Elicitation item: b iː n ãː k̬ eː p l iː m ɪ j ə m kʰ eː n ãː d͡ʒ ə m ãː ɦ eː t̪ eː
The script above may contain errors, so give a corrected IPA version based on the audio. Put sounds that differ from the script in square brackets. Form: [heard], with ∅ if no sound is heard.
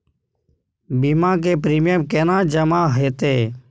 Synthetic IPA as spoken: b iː [m] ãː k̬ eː p [ɾ] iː m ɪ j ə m [k] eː n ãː d͡ʒ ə m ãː ɦ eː t̪ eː